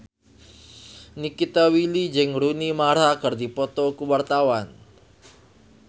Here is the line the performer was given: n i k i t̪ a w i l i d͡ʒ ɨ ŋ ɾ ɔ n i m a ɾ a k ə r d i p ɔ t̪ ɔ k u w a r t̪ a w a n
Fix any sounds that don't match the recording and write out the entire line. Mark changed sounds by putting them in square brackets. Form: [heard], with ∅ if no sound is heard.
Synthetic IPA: n i k i t̪ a w i l i d͡ʒ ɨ ŋ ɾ [u] n i m a ɾ a k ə r d i p ɔ t̪ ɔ k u w a r t̪ a w a n